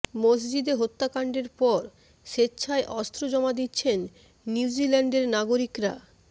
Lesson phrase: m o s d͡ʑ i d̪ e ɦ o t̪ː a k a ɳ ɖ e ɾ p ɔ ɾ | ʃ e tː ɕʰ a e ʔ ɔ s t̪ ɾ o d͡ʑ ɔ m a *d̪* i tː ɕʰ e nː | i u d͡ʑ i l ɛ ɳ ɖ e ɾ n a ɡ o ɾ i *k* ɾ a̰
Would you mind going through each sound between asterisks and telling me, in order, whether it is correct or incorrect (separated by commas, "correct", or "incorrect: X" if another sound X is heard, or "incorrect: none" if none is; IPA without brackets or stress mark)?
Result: correct, correct